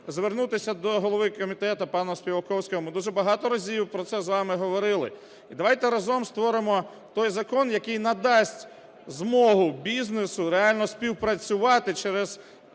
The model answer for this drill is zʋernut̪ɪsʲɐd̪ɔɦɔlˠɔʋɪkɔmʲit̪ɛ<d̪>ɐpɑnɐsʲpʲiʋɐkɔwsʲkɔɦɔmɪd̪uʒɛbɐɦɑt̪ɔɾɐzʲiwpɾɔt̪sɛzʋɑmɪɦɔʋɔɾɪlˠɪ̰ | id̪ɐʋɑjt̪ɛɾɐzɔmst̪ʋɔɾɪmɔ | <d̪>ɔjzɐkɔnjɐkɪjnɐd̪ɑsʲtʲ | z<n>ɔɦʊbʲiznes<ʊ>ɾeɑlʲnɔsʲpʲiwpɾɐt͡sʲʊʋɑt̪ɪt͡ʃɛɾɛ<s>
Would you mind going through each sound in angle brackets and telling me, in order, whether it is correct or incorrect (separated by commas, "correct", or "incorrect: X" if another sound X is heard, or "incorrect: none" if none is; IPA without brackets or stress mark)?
incorrect: t̪, incorrect: t̪, incorrect: m, correct, incorrect: z